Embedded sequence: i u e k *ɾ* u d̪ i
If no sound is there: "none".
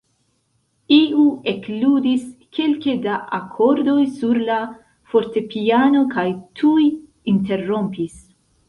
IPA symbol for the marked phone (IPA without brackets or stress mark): l